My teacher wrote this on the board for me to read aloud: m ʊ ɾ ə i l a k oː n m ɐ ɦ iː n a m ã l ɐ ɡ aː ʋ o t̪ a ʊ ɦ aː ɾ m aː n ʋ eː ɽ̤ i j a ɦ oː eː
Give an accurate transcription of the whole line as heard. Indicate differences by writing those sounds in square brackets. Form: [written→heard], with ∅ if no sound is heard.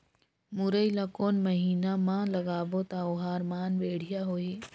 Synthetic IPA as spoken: m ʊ ɾ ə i l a k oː n m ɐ ɦ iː n a m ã l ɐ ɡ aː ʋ o t̪ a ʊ ɦ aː ɾ m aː n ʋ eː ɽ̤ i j a ɦ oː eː

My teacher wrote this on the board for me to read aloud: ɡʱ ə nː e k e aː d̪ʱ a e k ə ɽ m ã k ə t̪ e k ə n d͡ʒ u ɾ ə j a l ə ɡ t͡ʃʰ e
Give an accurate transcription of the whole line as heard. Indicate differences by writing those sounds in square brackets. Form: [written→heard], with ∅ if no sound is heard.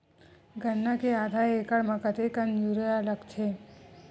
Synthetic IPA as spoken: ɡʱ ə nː [e→a] k e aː d̪ʱ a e k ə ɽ m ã k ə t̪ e k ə n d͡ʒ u ɾ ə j a l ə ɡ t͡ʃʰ e

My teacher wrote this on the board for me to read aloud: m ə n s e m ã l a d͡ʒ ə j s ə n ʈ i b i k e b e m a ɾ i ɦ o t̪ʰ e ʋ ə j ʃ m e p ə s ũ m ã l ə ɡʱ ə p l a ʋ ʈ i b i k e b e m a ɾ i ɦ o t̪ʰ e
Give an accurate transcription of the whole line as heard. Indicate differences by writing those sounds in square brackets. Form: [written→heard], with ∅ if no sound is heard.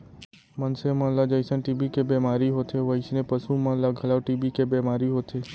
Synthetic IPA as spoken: m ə n s e m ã l a d͡ʒ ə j s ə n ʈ i b i k e b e m a ɾ i ɦ o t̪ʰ e ʋ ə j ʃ [m→n] e p ə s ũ m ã l [ə→a] ɡʱ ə [p→∅] l a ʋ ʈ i b i k e b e m a ɾ i ɦ o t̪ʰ e

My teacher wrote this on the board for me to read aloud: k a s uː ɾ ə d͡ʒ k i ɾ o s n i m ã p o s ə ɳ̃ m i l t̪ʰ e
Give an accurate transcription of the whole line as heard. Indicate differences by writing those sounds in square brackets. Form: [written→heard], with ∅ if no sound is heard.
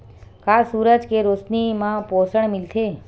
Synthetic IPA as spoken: k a s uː ɾ ə d͡ʒ k [i→e] ɾ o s n i m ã p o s ə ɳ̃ m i l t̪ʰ e

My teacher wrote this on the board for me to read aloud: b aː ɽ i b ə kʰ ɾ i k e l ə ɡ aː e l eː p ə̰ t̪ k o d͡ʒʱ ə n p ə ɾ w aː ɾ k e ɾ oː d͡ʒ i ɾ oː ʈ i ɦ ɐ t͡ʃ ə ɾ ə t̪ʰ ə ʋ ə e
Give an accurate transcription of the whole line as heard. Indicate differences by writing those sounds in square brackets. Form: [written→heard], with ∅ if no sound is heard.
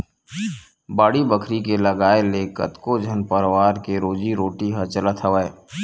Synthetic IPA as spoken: b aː ɽ i b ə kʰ ɾ i k e l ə ɡ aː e l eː [p→k] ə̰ t̪ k o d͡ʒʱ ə n p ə ɾ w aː ɾ k e ɾ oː d͡ʒ i ɾ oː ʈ i ɦ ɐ t͡ʃ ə [ɾ→l] ə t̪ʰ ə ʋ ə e

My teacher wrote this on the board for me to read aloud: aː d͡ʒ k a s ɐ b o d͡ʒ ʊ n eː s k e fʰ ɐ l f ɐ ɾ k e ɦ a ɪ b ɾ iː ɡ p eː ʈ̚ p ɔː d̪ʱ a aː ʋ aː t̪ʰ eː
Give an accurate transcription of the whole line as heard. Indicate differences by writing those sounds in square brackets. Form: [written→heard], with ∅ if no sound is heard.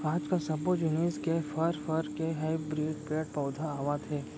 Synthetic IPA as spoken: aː d͡ʒ k a s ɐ b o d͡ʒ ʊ n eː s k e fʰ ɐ [l→ɾ] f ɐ ɾ k e ɦ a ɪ b ɾ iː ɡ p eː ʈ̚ p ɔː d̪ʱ a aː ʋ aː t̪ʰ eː

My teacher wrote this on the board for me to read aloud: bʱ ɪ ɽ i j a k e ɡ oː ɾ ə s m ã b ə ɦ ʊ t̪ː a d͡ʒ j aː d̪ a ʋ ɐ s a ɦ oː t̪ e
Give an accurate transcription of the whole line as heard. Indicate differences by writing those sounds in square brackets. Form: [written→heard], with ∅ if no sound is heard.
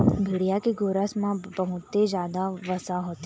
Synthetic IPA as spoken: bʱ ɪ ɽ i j a k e ɡ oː ɾ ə s m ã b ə ɦ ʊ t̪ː [a→e] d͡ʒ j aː d̪ a ʋ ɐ s a ɦ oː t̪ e

